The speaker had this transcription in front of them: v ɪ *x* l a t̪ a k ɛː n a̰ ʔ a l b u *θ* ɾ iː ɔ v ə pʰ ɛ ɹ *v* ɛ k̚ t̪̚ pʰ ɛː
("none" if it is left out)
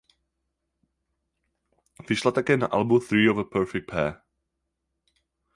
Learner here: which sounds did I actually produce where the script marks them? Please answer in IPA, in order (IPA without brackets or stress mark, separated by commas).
ʃ, θ, f